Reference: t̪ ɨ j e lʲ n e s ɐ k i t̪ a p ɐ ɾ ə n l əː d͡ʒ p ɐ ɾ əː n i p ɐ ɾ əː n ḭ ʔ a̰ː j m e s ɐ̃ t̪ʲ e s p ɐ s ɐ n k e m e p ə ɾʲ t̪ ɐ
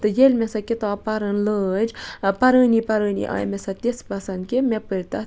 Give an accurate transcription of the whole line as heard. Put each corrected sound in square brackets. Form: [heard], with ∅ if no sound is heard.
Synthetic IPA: t̪ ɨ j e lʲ [m] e s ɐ k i t̪ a p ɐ ɾ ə n l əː d͡ʒ p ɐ ɾ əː n i p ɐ ɾ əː n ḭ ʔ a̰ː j m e s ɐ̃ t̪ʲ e s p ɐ s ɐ n k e m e p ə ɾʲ t̪ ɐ